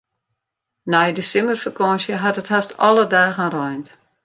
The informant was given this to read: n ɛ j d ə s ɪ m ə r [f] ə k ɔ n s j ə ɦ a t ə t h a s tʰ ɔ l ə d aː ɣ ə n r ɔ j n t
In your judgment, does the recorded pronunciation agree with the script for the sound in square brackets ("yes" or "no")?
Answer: yes